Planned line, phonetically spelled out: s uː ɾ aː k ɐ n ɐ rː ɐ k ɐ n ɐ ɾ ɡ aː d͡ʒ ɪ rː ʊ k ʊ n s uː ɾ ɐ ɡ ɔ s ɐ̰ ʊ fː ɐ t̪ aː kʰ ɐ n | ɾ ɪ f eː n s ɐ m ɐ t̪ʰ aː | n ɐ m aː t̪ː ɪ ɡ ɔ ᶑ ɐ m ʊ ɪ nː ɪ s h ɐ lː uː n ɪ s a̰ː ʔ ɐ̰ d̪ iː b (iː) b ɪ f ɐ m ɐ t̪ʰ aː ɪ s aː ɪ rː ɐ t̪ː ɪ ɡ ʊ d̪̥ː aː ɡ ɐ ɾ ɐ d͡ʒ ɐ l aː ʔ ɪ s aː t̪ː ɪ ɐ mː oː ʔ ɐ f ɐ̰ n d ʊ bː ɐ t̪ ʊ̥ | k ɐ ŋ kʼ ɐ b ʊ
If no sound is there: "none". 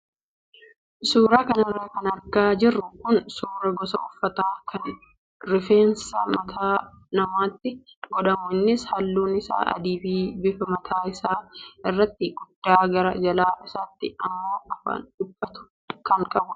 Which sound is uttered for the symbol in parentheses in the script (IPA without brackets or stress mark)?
iː